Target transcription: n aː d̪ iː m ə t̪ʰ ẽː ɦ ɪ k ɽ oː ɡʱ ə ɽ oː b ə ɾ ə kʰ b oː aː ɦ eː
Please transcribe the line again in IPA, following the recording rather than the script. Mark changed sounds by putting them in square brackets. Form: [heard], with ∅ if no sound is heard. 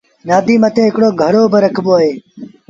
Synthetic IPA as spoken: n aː d̪ iː m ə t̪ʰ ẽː ɦ ɪ k ɽ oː ɡʱ ə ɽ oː b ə ɾ ə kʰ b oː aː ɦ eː

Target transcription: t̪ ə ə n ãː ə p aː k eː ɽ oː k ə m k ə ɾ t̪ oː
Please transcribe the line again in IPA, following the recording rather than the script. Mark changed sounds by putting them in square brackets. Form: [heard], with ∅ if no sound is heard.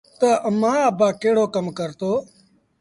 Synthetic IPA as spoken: t̪ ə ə [m] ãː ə [b] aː k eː ɽ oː k ə m k ə ɾ t̪ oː

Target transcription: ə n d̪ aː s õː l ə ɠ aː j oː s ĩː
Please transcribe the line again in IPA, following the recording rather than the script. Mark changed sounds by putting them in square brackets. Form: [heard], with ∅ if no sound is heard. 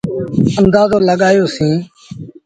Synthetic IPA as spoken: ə n d̪ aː [z] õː l ə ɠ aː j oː s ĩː

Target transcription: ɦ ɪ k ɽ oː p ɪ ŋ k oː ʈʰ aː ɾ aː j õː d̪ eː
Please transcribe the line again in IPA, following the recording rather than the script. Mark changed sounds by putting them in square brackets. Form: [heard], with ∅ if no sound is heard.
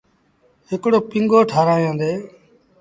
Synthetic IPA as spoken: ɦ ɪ k ɽ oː p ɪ ŋ [ɡ] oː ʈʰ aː ɾ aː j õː d̪ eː

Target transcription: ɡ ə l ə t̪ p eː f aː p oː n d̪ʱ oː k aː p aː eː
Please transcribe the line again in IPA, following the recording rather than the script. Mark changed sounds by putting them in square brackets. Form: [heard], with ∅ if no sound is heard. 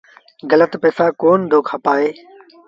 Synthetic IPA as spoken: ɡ ə l ə t̪ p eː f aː [k] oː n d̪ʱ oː [kʰ] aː p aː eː

